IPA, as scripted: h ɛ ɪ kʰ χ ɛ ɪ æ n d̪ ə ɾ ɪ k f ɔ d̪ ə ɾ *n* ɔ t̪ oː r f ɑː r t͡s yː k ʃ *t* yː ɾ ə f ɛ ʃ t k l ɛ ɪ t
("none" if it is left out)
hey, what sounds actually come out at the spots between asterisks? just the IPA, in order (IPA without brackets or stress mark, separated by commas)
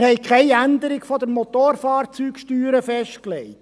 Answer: m, t